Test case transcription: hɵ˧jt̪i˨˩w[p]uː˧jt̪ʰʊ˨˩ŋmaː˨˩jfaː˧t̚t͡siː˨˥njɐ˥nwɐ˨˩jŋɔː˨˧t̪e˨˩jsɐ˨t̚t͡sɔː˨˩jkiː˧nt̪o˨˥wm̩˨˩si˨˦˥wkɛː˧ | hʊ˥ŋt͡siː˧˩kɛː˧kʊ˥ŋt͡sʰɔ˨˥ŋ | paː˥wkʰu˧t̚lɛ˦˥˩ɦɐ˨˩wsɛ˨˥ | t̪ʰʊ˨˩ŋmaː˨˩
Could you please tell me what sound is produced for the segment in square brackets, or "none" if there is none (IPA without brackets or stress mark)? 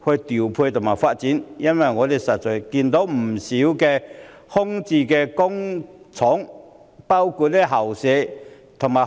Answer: pʰ